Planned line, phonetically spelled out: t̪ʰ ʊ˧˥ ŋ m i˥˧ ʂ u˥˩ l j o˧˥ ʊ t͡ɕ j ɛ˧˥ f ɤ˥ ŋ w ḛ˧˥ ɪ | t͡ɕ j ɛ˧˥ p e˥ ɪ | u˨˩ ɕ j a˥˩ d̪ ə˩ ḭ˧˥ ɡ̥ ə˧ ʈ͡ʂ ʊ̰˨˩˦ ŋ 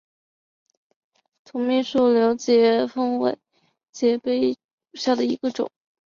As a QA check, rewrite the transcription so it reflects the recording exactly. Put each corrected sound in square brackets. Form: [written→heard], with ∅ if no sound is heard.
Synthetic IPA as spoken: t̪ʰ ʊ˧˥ ŋ m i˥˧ ʂ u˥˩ l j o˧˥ ʊ t͡ɕ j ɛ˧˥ f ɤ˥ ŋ w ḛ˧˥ ɪ | t͡ɕ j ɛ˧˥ p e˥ ɪ | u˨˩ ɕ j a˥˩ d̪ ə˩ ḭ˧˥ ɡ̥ ə˧ ʈ͡ʂ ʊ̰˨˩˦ ŋ

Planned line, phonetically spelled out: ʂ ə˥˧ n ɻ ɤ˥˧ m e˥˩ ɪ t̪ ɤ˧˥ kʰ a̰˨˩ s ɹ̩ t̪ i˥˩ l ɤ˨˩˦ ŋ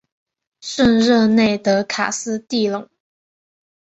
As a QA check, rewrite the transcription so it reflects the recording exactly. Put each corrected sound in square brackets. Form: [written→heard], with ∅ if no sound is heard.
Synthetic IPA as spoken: ʂ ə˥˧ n ɻ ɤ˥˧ [m→n] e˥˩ ɪ t̪ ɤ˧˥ kʰ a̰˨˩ s ɹ̩ t̪ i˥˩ l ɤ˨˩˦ ŋ

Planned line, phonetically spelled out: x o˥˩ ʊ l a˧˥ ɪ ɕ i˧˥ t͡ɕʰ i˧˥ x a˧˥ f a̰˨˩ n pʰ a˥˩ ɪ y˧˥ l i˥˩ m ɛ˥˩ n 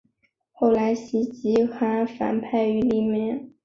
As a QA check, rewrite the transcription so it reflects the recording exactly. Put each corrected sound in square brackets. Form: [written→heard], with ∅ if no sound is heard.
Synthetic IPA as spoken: x o˥˩ ʊ l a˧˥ ɪ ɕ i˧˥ [t͡ɕʰ→t͡ɕ] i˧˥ x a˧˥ f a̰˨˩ n pʰ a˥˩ ɪ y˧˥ l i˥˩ m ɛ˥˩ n

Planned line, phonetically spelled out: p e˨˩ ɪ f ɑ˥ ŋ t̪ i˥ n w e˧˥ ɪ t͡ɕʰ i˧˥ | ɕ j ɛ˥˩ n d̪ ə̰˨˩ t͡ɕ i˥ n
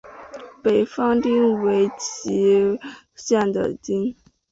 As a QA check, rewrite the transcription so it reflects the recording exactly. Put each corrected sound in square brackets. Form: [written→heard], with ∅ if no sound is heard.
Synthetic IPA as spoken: p e˨˩ ɪ f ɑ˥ ŋ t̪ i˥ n w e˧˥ ɪ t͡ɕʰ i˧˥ | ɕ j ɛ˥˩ n d̪ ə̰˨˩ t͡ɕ i˥ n

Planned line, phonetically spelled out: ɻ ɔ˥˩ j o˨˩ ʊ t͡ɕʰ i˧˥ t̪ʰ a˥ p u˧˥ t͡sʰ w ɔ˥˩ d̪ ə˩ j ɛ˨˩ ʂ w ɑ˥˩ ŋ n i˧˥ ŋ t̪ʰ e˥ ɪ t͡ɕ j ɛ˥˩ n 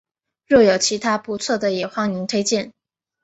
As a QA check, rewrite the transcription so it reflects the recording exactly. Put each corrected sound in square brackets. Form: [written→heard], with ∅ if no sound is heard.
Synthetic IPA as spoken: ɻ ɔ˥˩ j o˨˩ ʊ t͡ɕʰ i˧˥ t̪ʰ a˥ p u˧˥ t͡sʰ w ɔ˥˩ d̪ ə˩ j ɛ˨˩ [ʂ→x] w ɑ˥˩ ŋ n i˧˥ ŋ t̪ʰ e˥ ɪ t͡ɕ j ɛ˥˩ n

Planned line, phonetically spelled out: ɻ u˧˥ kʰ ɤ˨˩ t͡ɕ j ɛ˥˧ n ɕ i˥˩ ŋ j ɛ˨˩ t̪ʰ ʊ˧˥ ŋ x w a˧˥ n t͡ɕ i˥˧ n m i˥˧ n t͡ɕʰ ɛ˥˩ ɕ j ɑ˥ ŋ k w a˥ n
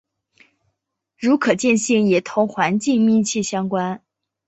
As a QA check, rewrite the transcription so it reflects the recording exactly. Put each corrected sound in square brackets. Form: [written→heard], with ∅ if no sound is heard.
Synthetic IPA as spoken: ɻ u˧˥ kʰ ɤ˨˩ t͡ɕ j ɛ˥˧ n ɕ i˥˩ ŋ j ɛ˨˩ t̪ʰ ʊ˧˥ ŋ x w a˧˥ n t͡ɕ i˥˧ [n→ŋ] m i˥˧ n t͡ɕʰ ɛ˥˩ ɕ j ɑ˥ ŋ k w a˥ n

